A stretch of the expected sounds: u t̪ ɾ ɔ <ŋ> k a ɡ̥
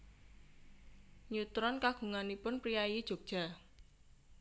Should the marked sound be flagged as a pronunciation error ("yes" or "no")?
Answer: yes